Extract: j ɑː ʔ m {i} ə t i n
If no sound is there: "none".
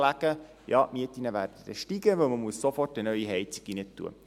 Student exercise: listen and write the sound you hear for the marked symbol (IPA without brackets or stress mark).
i